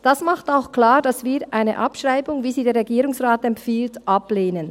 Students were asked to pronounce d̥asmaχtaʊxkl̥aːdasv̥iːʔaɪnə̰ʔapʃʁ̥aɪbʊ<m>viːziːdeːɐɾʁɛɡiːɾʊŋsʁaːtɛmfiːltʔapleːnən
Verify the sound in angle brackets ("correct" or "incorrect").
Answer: incorrect